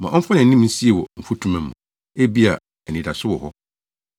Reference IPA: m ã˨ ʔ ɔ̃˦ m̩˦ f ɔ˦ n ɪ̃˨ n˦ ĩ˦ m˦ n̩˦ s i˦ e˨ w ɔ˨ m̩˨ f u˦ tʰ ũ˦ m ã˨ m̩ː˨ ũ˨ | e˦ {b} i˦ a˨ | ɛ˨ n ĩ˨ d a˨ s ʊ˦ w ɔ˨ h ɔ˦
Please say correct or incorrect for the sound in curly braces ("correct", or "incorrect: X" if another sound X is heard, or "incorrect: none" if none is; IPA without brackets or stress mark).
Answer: correct